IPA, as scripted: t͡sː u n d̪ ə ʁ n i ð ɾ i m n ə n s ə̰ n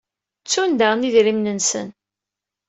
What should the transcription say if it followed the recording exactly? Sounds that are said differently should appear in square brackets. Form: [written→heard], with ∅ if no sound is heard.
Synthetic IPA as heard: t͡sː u n d̪ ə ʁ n i ð ɾ i m n ə n s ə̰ n